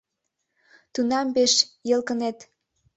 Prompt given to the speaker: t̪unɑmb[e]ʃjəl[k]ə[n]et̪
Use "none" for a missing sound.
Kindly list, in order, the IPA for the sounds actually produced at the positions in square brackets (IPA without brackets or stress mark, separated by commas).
e, k, n